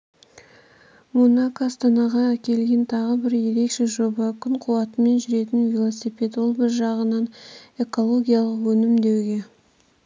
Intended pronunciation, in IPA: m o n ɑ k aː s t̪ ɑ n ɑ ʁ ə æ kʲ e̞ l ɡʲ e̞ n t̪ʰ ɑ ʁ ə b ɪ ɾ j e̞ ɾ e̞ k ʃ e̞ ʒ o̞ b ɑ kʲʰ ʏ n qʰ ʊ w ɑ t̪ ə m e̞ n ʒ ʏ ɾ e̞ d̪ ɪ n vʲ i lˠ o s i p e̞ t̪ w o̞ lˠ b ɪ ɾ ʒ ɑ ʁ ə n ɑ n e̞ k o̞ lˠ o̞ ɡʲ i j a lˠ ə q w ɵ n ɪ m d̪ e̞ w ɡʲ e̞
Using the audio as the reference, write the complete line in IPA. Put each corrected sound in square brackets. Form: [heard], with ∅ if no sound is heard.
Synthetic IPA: m o n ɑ k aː s t̪ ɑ n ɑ ʁ [ɑ] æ kʲ e̞ l ɡʲ e̞ n t̪ʰ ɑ ʁ ə b ɪ ɾ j e̞ ɾ e̞ k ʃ e̞ ʒ o̞ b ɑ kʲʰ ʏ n qʰ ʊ w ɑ t̪ ə m e̞ n ʒ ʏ ɾ e̞ [t̪] ɪ n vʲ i lˠ o s i p e̞ t̪ w o̞ lˠ b ɪ ɾ ʒ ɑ ʁ ə n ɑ n e̞ k o̞ lˠ o̞ ɡʲ i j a lˠ ə q w ɵ n ɪ m d̪ e̞ w ɡʲ e̞

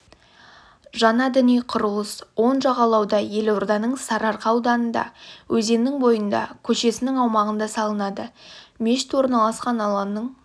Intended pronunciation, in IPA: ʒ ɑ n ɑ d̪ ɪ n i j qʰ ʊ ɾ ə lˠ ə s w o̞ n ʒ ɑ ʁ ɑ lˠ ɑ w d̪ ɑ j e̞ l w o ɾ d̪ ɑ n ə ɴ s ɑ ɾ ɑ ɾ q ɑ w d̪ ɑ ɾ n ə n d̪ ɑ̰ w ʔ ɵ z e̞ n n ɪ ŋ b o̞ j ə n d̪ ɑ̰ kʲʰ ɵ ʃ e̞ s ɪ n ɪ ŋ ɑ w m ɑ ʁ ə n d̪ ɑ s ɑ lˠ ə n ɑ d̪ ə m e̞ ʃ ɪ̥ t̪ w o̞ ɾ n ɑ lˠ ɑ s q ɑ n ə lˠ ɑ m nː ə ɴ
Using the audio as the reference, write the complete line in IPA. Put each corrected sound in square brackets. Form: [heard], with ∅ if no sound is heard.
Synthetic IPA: ʒ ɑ n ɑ d̪ ɪ n i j qʰ ʊ ɾ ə lˠ ə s w o̞ n ʒ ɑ ʁ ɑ lˠ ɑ w d̪ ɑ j e̞ l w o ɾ d̪ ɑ n ə ɴ s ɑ ɾ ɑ ɾ q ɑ w d̪ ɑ [∅] n ə n d̪ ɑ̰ w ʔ ɵ z e̞ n n ɪ ŋ b o̞ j ə n d̪ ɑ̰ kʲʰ ɵ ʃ e̞ s ɪ n ɪ ŋ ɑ w m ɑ ʁ ə n d̪ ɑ s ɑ lˠ ə n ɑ d̪ ə m e̞ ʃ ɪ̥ t̪ w o̞ ɾ n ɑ lˠ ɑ s q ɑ n [ɑ] lˠ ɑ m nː ə ɴ

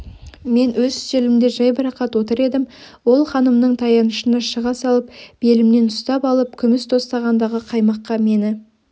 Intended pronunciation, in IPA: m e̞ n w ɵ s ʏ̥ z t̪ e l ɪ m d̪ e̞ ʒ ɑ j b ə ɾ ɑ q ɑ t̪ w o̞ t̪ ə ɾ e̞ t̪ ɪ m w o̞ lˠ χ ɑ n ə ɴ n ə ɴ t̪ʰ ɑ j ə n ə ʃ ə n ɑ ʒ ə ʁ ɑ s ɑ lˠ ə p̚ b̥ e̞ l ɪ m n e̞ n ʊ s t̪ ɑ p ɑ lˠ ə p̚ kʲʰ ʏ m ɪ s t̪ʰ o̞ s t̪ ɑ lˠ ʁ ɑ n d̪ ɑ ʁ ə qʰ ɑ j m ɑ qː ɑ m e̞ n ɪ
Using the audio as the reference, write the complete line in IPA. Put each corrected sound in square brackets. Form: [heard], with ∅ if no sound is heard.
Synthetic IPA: m e̞ n w ɵ [z] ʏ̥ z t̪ e l ɪ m d̪ e̞ ʒ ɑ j b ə ɾ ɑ q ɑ t̪ w o̞ t̪ ə ɾ e̞ [d̪] ɪ m w o̞ lˠ χ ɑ n ə [m] n ə ɴ t̪ʰ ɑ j [ɑ] n ə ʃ ə n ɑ [ʃ] ə ʁ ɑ s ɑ lˠ ə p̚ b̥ e̞ l ɪ m n e̞ n ʊ s t̪ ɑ p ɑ lˠ ə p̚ kʲʰ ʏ m ɪ s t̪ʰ o̞ s t̪ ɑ [∅] ʁ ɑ n d̪ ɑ ʁ ə qʰ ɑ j m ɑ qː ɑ m e̞ n ɪ

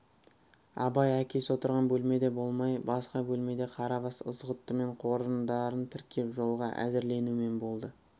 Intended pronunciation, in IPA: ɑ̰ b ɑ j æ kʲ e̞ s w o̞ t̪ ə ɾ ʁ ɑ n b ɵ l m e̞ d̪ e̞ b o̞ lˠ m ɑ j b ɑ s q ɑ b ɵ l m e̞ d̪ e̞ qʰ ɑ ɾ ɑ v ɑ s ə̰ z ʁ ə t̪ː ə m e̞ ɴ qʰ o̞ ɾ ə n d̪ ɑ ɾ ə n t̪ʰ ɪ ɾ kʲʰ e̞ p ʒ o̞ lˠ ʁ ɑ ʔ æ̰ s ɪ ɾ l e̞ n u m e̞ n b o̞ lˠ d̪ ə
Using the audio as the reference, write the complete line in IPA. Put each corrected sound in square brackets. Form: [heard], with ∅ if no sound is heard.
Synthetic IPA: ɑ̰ b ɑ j æ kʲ e̞ s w o̞ t̪ ə ɾ ʁ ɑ n b ɵ l m e̞ d̪ e̞ b o̞ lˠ m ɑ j b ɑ s q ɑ b ɵ l m e̞ d̪ e̞ qʰ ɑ ɾ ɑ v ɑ s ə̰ z ʁ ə t̪ː ə m e̞ ɴ qʰ o̞ ɾ ə n d̪ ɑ ɾ ə n t̪ʰ ɪ ɾ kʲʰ e̞ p ʒ o̞ lˠ ʁ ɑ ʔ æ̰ [z] ɪ ɾ l e̞ n u m e̞ n b o̞ lˠ d̪ ə

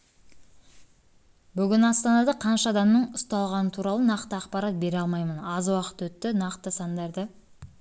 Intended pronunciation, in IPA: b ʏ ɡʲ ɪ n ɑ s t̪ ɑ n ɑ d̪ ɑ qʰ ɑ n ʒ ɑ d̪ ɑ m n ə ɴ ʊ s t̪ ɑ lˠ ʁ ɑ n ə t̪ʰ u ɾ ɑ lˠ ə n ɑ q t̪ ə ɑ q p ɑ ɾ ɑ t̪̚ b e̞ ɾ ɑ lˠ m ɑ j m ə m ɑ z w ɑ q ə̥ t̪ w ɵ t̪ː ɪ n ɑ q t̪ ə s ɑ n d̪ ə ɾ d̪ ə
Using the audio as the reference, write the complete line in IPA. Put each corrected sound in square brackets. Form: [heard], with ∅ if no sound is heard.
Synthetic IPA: b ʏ ɡʲ ɪ n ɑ s t̪ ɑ n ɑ d̪ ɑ qʰ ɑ n [ʃ] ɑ d̪ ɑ m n ə ɴ ʊ s t̪ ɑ lˠ ʁ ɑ n ə t̪ʰ u ɾ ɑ lˠ ə n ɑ q t̪ ə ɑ q p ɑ ɾ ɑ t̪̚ b e̞ ɾ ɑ lˠ m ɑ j m ə [n] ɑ z w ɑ q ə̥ t̪ w ɵ t̪ː ɪ n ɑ q t̪ ə s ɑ n d̪ [ɑ] ɾ d̪ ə

